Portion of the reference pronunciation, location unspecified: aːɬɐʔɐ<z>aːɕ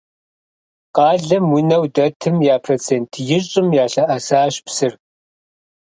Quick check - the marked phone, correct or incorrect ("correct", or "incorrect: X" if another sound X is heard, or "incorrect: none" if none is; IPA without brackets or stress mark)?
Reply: incorrect: s